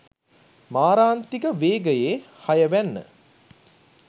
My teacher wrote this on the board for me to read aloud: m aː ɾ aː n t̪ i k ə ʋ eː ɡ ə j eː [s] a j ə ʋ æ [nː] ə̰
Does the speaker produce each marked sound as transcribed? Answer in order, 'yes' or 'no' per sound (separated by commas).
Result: no, yes